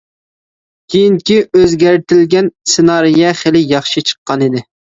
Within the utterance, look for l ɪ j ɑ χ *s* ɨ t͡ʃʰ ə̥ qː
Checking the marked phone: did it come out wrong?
yes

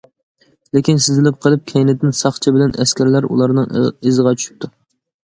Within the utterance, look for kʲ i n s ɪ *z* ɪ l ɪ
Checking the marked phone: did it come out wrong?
no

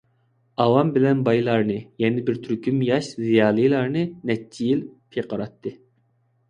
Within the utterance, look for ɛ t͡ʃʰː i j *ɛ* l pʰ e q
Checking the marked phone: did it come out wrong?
yes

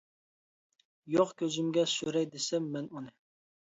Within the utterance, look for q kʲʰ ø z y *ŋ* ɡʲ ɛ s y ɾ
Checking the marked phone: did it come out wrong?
yes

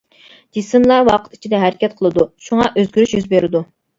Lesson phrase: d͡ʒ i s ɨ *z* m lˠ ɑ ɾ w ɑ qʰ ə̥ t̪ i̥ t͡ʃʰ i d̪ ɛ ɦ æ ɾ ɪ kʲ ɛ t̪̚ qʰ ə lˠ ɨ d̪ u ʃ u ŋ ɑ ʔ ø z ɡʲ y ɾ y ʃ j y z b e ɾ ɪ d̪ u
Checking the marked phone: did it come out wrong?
yes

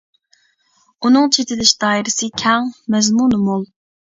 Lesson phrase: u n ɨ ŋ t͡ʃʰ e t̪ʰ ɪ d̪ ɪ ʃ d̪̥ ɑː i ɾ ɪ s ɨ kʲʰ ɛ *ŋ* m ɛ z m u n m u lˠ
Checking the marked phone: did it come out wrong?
no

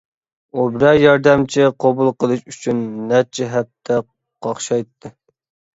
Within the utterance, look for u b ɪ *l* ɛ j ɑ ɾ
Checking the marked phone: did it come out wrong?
yes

